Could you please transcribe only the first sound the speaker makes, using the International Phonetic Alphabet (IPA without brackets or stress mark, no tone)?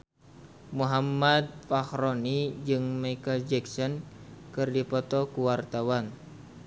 m